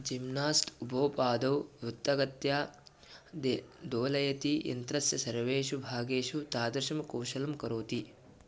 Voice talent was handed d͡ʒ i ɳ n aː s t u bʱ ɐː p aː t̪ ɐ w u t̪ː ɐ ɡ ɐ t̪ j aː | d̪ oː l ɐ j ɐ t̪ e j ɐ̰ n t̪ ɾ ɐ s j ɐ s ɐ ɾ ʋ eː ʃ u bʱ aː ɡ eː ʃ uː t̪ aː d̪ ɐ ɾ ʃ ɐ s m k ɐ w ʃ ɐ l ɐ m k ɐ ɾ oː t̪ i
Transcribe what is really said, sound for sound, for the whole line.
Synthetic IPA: d͡ʒ i m n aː s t u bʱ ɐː p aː d̪ ɐ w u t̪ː ɐ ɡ ɐ t̪ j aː | d̪ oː l ɐ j ɐ t̪ i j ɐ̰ n t̪ ɾ ɐ s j ɐ s ɐ ɾ ʋ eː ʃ u bʱ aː ɡ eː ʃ u t̪ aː d̪ ɐ ɾ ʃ ɐ m k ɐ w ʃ ɐ l ɐ m k ɐ ɾ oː t̪ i